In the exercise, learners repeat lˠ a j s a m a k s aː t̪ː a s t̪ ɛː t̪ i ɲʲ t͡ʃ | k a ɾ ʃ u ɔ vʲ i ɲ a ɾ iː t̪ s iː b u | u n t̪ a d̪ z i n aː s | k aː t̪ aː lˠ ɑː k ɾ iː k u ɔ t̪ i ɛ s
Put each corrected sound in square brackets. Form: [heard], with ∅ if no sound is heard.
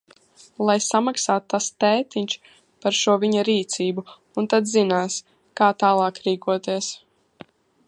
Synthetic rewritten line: lˠ a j s a m a k s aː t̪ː a s t̪ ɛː t̪ i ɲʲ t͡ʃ | [p] a ɾ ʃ u ɔ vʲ i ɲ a ɾ iː t̪ s iː b u | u n t̪ a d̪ z i n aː s | k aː t̪ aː lˠ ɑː k ɾ iː k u ɔ t̪ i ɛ s